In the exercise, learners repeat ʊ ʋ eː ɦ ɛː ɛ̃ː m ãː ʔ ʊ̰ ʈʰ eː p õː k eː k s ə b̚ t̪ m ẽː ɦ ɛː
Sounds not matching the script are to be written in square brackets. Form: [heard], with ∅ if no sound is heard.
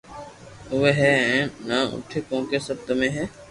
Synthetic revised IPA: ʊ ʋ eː ɦ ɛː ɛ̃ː [n] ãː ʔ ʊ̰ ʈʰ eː [k] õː k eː [∅] s ə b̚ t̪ m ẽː ɦ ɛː